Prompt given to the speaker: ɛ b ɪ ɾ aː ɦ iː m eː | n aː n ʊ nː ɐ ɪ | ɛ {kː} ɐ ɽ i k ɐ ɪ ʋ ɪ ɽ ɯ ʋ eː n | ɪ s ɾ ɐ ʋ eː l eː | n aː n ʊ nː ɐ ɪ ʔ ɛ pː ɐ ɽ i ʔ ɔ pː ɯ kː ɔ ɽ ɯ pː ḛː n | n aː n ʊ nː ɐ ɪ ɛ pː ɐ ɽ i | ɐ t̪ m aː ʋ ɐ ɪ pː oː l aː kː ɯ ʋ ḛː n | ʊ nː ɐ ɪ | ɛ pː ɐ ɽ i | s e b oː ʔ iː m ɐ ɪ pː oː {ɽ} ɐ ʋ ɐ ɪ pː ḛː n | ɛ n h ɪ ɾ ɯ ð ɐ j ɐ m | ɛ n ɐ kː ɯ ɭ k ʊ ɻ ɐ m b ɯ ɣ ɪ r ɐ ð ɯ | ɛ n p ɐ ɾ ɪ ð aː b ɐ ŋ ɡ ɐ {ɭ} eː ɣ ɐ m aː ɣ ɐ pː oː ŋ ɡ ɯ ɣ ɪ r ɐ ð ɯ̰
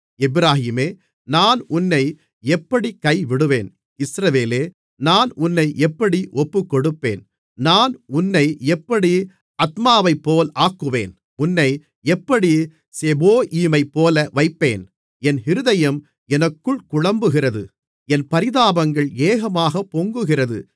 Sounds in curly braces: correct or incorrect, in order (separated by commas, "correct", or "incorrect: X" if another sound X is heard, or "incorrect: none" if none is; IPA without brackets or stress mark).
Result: incorrect: pː, incorrect: l, correct